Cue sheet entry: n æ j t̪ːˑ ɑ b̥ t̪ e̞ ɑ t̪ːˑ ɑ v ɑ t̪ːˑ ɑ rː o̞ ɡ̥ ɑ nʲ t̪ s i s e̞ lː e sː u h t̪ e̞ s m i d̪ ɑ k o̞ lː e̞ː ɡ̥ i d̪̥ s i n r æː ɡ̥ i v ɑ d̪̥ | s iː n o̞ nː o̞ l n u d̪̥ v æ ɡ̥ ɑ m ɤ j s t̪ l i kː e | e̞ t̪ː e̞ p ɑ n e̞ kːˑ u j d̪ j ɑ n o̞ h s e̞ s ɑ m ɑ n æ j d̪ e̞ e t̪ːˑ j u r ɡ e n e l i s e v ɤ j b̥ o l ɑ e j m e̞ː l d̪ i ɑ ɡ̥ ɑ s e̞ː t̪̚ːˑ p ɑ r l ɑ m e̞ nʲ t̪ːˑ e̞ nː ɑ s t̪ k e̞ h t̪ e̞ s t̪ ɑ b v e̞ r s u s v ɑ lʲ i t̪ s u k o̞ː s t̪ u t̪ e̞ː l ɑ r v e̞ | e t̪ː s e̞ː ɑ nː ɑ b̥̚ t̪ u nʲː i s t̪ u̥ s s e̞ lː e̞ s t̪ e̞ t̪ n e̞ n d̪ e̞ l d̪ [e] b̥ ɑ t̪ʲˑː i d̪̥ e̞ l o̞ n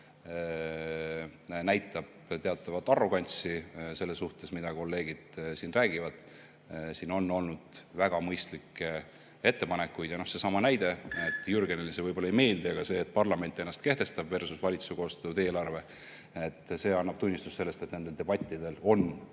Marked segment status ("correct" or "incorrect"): correct